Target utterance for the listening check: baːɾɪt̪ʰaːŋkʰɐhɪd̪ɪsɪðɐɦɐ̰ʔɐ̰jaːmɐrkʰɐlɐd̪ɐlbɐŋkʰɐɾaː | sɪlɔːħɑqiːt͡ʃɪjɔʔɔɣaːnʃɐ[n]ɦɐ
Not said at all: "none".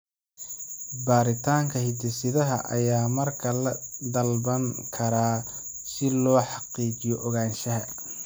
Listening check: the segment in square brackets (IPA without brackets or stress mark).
none